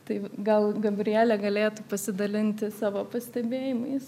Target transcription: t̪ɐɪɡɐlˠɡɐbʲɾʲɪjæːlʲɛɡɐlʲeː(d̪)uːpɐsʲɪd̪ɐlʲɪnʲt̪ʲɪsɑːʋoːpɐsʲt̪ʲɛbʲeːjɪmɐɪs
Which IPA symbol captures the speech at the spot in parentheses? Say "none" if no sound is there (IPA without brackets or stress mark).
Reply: t̪